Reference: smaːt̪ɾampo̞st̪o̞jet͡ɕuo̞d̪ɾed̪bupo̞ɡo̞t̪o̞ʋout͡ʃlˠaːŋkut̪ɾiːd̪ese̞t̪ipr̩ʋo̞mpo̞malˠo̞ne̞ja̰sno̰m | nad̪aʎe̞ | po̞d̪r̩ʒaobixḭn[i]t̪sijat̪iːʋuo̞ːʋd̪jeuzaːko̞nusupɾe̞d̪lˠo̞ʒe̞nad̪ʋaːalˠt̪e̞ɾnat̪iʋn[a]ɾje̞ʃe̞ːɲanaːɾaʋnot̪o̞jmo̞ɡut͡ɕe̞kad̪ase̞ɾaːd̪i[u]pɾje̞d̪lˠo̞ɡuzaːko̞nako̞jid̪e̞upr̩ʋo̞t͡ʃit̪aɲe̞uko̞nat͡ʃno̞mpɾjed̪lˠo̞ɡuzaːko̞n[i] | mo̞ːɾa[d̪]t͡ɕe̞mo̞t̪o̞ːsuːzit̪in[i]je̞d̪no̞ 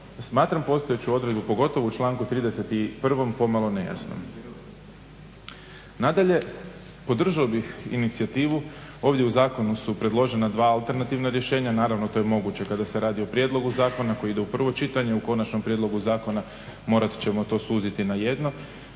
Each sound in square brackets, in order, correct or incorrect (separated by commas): correct, correct, incorrect, incorrect, incorrect, incorrect